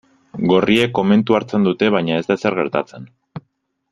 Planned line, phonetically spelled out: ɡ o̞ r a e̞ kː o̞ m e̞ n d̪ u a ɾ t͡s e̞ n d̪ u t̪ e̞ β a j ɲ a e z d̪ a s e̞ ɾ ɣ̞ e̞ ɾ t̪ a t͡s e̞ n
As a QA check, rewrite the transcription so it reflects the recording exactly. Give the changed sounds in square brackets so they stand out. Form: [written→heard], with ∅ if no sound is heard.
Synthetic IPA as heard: ɡ o̞ r [a→i] e̞ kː o̞ m e̞ n [d̪→t̪] u a ɾ t͡s e̞ n d̪ u t̪ e̞ β a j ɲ a e z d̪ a s e̞ ɾ ɣ̞ e̞ ɾ t̪ a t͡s e̞ n